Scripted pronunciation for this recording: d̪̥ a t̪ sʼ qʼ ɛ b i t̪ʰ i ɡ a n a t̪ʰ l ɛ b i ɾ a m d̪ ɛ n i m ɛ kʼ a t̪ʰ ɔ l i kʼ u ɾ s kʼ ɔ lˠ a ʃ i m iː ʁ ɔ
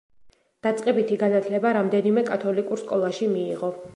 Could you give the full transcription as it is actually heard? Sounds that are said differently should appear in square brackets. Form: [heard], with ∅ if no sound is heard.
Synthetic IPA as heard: d̪̥ a t̪ sʼ qʼ ɛ b i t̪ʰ i ɡ a n a t̪ʰ l ɛ b [a] ɾ a m d̪ ɛ n i m ɛ kʼ a t̪ʰ ɔ l i kʼ u ɾ s kʼ ɔ lˠ a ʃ i m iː ʁ ɔ